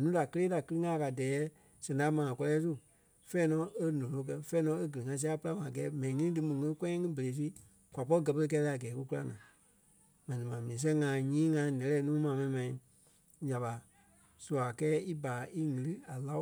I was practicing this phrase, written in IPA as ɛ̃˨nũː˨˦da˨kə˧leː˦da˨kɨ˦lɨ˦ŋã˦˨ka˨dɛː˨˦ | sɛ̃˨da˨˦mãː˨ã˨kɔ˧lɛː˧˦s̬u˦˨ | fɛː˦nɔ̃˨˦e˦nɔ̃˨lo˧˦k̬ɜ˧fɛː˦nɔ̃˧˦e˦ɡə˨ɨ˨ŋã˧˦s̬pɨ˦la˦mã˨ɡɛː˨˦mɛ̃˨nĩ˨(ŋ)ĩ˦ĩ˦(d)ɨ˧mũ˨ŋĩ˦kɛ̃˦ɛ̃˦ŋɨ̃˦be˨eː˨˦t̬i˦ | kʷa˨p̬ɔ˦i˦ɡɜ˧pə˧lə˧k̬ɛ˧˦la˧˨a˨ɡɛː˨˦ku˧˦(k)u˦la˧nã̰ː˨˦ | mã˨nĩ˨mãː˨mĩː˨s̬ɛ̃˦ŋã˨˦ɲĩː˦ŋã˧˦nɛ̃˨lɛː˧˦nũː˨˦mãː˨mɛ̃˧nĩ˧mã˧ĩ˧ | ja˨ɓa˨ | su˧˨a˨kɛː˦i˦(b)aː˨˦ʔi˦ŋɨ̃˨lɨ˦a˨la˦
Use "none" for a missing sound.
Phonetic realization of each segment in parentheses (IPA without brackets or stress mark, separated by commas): ŋ, d, k, b